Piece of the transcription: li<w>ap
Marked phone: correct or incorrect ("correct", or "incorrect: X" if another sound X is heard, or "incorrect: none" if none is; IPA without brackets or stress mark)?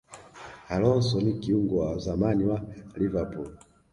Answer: incorrect: v